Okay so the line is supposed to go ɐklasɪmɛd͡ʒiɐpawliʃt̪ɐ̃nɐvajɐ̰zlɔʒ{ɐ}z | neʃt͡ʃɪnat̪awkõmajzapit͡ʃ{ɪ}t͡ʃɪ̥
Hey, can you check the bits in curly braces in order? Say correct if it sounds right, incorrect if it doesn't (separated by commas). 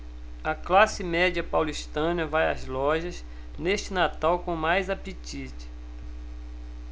correct, incorrect